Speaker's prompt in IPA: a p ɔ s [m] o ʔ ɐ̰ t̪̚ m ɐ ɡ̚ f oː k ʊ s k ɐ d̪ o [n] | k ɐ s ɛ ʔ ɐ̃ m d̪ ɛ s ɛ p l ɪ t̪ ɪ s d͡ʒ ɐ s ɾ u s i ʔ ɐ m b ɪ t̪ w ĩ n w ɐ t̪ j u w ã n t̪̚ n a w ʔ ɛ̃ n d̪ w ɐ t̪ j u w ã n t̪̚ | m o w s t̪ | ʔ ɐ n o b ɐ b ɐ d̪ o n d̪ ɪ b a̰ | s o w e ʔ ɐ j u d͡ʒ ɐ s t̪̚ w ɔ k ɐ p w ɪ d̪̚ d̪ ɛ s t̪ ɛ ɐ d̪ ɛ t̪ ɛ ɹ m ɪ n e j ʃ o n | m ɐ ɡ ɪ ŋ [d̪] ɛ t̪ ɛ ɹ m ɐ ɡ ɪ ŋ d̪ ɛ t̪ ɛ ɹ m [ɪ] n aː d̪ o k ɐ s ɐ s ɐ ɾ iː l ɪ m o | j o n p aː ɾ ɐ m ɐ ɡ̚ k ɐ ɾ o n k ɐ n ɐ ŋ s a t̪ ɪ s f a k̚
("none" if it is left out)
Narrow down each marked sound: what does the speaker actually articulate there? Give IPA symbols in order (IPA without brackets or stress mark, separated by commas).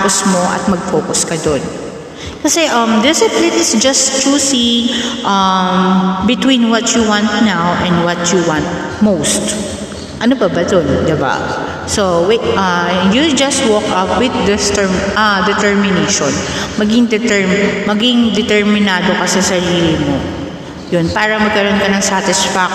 m, n, d̪, ɪ